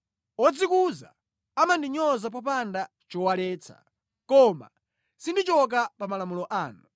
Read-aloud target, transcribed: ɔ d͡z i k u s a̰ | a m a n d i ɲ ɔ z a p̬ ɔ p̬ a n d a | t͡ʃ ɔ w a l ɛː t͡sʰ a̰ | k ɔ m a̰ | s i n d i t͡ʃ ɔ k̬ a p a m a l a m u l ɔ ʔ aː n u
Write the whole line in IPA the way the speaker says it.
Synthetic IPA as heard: ɔ d͡z i k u z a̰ | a m a n d i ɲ ɔ z a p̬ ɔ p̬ a n d a | t͡ʃ ɔ w a l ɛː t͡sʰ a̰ | k ɔ m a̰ | s i n d i t͡ʃ ɔ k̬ a p a m a l a m u l ɔ ʔ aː n u